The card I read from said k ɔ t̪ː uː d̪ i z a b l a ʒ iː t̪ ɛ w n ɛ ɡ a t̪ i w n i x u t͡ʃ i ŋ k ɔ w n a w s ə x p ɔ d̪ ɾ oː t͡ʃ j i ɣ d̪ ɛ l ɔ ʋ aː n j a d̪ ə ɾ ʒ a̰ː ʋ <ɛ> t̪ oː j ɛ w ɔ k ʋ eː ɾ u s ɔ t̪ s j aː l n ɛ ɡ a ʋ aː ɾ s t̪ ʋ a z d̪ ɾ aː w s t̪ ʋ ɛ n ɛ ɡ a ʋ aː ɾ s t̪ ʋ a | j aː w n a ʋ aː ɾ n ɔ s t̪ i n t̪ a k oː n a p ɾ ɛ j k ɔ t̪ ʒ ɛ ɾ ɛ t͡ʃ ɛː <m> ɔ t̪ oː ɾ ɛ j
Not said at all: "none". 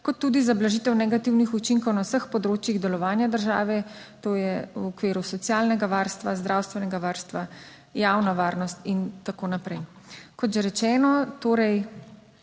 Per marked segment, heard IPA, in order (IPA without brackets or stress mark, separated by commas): ɛ, n